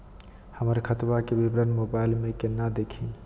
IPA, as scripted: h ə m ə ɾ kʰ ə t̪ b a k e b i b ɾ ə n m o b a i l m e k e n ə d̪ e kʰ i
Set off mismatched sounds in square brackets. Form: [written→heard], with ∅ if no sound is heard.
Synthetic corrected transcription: h ə m ə ɾ kʰ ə t̪ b a k e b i b ɾ ə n m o b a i l m e k e n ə d̪ e kʰ i